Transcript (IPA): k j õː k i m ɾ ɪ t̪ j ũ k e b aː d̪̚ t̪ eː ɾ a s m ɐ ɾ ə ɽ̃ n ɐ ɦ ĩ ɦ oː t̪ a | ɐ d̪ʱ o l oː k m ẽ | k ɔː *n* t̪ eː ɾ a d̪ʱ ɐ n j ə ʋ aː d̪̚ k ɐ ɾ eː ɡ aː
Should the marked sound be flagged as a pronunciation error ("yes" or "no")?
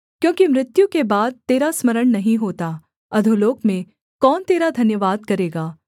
no